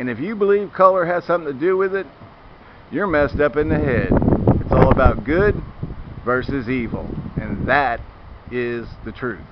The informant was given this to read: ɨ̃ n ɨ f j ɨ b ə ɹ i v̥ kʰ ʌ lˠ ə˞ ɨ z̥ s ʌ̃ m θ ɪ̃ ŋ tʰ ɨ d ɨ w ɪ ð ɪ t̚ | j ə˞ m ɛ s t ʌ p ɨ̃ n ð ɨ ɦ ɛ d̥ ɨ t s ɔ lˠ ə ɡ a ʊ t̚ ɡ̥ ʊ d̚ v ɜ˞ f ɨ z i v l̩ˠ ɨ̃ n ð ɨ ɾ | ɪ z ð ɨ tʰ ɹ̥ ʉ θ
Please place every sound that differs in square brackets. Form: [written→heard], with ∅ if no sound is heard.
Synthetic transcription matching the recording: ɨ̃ n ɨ f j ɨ b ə [ɹ→l] i v̥ kʰ ʌ lˠ ə˞ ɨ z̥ s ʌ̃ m θ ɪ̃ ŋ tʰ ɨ d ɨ w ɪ ð ɪ t̚ | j ə˞ m ɛ s t ʌ p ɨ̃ n ð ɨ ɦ ɛ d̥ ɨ t s ɔ lˠ ə [ɡ→b] a ʊ t̚ ɡ̥ ʊ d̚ v ɜ˞ [f→s] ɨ z i v l̩ˠ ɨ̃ n ð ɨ ɾ | ɪ z ð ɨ tʰ ɹ̥ ʉ θ

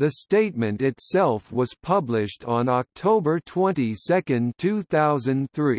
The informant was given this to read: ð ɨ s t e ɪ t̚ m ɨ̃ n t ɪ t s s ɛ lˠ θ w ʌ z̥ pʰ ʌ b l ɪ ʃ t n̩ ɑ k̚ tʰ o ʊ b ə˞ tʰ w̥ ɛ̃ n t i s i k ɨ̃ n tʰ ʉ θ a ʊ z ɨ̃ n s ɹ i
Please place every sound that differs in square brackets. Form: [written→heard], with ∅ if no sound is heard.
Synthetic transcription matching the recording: ð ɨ s t e ɪ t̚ m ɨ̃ n t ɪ t s s ɛ lˠ [θ→f] w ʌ z̥ pʰ ʌ b l ɪ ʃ t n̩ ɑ k̚ tʰ o ʊ b ə˞ tʰ w̥ ɛ̃ n t i s [i→ɛ] k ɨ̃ n tʰ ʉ θ a ʊ z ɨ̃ n [s→θ] ɹ i

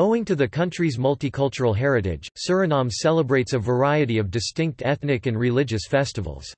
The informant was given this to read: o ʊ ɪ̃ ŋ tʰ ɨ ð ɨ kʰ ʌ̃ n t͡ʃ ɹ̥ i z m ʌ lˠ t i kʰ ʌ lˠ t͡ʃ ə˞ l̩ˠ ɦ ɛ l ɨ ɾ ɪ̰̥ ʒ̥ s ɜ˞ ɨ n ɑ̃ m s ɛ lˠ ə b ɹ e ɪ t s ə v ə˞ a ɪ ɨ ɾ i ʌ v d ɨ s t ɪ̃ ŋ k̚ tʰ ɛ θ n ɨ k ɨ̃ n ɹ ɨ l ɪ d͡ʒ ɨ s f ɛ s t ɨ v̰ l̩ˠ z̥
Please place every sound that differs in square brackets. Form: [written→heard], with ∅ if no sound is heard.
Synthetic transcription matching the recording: o ʊ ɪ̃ ŋ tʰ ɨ ð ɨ kʰ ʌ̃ n t͡ʃ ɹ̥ i z m ʌ lˠ t i kʰ ʌ lˠ t͡ʃ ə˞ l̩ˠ ɦ ɛ [l→ɹ] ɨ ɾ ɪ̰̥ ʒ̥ s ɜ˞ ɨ n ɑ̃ m s ɛ lˠ ə b ɹ e ɪ t s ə v ə˞ a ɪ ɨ ɾ i ʌ v d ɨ s t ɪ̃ ŋ k̚ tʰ ɛ θ n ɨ k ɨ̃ n ɹ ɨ l ɪ d͡ʒ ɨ s f ɛ s t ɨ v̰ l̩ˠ z̥

